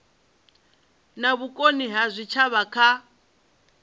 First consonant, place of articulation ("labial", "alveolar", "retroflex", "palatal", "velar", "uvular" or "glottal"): alveolar